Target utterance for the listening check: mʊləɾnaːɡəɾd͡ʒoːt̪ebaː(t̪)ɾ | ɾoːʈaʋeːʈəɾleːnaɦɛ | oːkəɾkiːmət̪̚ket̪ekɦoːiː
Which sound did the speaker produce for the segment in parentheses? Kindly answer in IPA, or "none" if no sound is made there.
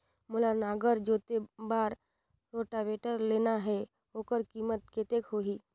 none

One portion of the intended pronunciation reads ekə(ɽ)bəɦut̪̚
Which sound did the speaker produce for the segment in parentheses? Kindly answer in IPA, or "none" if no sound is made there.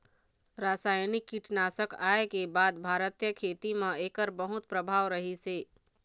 ɾ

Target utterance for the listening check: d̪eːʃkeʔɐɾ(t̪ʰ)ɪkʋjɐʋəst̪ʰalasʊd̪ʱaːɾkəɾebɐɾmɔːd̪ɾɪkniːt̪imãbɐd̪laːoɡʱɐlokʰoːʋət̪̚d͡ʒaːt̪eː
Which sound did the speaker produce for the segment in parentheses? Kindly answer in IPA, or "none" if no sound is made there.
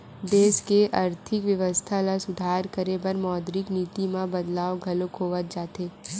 t̪ʰ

